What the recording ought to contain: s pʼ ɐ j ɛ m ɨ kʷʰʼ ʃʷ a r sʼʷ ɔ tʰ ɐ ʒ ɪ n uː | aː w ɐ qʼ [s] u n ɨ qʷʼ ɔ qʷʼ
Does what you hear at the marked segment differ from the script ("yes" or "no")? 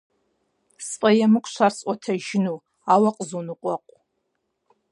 yes